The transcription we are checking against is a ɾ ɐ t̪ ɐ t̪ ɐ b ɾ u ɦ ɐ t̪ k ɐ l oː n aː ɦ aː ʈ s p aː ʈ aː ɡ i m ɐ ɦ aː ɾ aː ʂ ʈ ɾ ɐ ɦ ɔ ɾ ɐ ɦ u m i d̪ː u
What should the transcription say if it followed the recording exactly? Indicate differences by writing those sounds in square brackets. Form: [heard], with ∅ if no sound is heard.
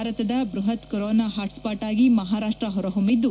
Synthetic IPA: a ɾ ɐ t̪ ɐ [d̪] ɐ b ɾ u ɦ ɐ t̪ k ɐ [ɾ] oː n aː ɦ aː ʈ s p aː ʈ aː ɡ i m ɐ ɦ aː ɾ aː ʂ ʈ ɾ ɐ ɦ ɔ ɾ ɐ ɦ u m i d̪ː u